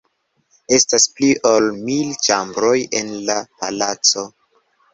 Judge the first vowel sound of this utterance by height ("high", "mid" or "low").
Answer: mid